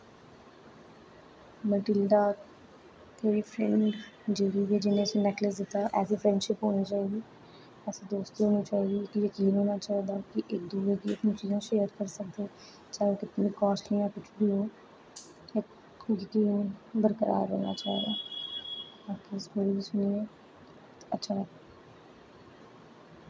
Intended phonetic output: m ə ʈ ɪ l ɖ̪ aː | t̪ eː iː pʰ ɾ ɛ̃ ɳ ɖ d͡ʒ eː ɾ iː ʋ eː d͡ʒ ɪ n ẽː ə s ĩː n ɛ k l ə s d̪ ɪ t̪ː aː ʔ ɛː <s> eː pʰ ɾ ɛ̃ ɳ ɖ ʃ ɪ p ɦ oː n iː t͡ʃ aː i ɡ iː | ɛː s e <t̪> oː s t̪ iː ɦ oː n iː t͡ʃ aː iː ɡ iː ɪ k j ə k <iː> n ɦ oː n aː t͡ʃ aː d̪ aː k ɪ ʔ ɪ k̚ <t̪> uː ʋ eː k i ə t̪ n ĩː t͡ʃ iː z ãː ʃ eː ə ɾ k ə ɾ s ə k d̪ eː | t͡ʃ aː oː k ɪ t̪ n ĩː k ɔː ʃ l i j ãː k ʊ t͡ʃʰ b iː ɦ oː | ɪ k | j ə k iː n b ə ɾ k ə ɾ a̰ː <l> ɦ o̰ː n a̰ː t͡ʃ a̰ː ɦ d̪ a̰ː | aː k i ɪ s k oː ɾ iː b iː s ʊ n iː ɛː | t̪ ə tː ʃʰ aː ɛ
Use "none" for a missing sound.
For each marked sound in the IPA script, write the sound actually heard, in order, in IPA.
s, d̪, iː, d̪, ɾ

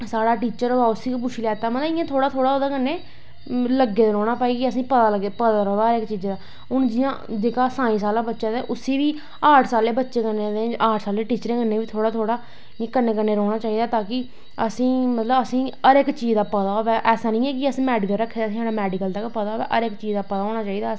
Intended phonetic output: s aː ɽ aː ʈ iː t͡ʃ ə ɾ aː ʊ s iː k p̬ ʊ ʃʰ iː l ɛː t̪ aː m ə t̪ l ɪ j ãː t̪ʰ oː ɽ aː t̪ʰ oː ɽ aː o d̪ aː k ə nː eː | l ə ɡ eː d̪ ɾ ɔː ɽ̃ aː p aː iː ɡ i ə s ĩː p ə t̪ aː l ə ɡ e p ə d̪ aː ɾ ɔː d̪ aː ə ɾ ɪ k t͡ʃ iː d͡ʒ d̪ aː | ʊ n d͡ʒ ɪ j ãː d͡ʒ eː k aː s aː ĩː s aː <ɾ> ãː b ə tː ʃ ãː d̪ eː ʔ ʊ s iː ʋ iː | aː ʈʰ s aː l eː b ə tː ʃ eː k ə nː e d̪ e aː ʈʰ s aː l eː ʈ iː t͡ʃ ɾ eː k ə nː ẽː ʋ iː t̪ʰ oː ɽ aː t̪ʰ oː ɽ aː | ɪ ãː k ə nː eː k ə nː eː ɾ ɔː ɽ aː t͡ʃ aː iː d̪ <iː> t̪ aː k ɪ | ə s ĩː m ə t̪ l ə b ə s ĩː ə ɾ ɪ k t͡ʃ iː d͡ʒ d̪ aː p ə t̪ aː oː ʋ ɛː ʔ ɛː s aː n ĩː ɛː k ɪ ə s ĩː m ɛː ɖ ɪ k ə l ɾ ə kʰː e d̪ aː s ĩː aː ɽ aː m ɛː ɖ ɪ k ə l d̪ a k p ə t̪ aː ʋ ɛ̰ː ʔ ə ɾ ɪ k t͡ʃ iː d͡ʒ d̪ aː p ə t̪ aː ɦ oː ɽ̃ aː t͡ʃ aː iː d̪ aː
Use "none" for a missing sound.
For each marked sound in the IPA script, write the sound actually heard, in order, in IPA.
l, aː

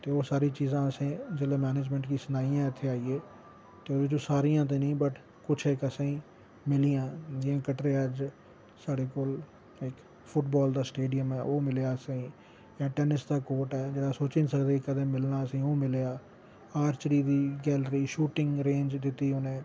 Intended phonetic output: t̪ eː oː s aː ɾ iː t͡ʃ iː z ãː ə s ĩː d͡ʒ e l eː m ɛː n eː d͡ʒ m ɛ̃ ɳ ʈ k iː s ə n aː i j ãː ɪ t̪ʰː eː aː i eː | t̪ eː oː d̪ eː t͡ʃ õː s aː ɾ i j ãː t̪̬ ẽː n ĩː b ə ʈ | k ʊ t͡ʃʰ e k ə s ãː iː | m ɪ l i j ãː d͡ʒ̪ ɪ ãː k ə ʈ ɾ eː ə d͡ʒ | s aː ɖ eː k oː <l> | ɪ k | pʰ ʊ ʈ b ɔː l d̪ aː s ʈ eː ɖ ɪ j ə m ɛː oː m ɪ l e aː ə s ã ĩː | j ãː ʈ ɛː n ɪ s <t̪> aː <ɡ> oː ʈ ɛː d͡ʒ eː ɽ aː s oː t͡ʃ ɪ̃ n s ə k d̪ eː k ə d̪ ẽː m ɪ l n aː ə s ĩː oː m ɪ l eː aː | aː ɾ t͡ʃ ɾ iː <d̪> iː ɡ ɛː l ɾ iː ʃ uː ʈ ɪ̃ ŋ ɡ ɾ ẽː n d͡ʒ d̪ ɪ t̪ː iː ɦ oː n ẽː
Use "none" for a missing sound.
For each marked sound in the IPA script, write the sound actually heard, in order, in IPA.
l, d̪, k, d̪

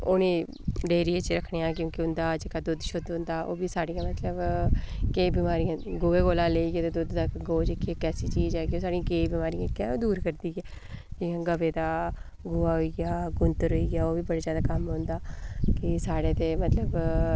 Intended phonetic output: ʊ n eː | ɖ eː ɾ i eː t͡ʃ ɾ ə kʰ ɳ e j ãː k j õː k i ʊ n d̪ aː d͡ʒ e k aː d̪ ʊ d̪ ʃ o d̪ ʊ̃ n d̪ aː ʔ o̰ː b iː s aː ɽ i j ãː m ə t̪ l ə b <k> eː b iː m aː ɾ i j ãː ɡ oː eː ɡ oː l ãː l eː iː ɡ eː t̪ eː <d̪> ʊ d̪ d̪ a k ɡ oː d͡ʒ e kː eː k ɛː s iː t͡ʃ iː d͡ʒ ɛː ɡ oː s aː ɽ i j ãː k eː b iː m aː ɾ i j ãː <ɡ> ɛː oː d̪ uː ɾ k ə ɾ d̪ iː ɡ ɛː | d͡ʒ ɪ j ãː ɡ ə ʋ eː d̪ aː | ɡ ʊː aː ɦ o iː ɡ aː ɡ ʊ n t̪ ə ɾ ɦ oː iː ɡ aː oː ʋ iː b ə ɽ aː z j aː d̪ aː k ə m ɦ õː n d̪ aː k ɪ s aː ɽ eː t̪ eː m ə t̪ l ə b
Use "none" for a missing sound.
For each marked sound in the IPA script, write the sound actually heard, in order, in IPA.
k, d̪, k

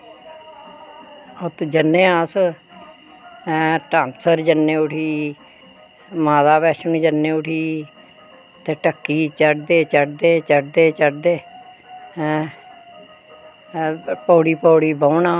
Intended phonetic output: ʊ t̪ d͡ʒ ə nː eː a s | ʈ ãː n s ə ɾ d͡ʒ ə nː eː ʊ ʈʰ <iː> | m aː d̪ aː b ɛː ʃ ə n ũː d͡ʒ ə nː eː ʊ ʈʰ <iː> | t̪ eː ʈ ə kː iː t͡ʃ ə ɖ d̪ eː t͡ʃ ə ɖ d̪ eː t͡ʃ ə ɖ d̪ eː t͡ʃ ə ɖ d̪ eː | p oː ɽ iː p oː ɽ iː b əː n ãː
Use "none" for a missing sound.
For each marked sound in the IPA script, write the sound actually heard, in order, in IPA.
iː, iː

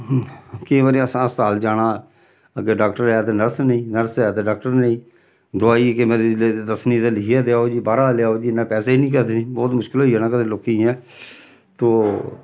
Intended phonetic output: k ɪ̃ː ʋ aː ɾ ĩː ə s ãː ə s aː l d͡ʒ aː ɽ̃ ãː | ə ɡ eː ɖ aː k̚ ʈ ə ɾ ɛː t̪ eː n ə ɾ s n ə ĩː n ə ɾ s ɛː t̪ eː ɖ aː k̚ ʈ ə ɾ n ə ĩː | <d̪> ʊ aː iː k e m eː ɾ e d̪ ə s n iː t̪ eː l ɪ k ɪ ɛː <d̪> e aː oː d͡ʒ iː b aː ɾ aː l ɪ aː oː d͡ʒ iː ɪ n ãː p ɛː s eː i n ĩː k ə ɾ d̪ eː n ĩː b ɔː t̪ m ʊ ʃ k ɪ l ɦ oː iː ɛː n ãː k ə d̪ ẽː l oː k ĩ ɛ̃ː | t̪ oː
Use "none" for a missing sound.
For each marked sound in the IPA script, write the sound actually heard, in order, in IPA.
d̪, d̪

